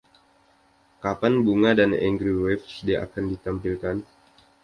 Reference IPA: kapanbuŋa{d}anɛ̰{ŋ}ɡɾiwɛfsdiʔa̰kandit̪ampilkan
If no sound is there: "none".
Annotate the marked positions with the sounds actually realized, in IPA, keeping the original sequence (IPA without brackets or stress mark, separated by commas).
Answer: d, ŋ